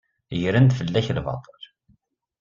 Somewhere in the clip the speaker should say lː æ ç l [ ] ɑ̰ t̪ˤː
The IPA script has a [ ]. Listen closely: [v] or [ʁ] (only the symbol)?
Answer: v